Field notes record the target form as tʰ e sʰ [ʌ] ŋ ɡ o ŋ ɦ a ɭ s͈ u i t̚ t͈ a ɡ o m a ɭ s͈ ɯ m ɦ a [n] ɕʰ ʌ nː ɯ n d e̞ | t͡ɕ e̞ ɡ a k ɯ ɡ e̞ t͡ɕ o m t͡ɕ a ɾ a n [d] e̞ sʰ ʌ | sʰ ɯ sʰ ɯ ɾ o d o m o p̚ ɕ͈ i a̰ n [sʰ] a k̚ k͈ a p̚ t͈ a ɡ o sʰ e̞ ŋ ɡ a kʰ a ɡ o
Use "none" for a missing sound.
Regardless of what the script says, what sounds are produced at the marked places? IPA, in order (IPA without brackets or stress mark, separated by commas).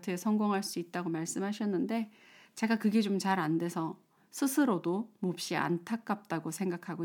ʌ, none, d, tʰ